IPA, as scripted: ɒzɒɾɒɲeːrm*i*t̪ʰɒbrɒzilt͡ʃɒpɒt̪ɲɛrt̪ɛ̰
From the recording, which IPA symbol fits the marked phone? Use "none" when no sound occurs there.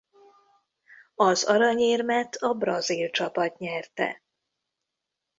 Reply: ɛ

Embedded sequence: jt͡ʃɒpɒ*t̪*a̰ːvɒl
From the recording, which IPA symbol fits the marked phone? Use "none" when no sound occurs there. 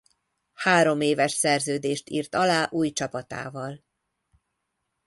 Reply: t̪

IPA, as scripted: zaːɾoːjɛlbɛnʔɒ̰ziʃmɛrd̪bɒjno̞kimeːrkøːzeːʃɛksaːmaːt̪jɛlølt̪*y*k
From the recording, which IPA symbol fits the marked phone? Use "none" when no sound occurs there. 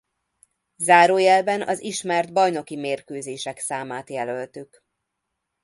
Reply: y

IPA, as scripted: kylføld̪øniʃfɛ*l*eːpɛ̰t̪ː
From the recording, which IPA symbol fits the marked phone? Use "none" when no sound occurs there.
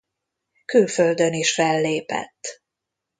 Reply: lː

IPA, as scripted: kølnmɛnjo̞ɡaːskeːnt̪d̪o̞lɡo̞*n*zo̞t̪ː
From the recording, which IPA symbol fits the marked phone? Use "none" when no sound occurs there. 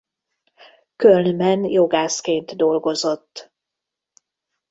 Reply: none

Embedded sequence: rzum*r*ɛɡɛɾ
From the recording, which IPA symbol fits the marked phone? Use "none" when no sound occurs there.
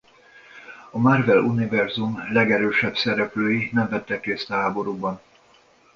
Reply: l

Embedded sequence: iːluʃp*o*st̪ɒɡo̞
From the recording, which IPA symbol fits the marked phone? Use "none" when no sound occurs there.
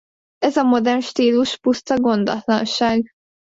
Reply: u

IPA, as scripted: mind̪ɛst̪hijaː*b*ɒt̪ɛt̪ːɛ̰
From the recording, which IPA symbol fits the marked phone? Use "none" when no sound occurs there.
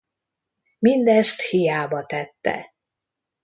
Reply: b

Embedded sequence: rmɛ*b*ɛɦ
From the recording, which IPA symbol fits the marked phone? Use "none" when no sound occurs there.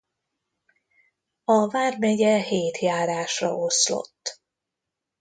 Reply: ɟ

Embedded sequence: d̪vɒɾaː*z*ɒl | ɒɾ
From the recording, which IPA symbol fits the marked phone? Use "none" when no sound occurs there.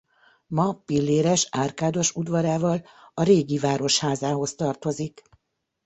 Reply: v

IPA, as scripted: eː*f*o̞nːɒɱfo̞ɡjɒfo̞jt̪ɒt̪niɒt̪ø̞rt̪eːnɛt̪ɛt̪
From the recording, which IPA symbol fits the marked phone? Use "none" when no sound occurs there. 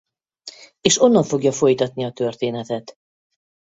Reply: ʃ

